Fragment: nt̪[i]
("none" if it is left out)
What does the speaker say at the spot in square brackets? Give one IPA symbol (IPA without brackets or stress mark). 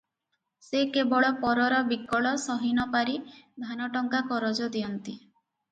i